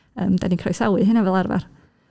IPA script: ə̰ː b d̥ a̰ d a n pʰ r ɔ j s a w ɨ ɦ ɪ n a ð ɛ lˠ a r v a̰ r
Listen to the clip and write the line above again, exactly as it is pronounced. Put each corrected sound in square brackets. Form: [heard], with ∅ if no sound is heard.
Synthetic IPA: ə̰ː [m] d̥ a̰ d [i] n [kʰ] r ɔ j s a w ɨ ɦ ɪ n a [v] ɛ lˠ a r v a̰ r